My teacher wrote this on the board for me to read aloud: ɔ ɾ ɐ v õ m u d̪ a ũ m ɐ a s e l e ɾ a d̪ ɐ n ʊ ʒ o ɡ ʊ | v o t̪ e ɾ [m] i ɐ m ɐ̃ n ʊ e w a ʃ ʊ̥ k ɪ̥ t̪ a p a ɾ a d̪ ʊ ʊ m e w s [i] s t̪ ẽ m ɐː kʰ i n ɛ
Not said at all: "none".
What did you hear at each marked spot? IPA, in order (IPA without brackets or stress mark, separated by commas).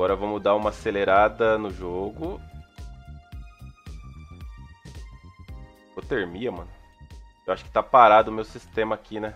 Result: m, i